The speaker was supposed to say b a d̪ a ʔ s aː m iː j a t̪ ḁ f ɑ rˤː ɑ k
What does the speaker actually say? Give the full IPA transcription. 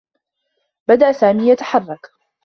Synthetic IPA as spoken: b a d̪ a ʔ s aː m iː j a t̪ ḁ ħ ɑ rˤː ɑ k